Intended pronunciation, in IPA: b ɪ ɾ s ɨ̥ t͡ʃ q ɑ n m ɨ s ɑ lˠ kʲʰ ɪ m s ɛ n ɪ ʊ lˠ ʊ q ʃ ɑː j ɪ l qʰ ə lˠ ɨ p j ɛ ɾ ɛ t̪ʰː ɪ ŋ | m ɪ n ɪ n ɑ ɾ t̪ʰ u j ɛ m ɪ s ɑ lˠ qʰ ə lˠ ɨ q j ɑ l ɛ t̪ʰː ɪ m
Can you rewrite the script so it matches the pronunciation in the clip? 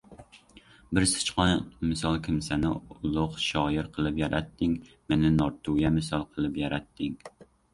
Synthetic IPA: b ɪ ɾ s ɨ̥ t͡ʃ q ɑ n m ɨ s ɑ lˠ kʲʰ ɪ m s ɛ n ɪ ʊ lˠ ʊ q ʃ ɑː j ɪ ɾ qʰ ə lˠ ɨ p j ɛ ɾ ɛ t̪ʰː ɪ ŋ | m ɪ n ɪ n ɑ ɾ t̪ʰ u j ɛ m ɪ s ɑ lˠ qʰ ə lˠ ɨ p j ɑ ɾ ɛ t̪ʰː ɪ ŋ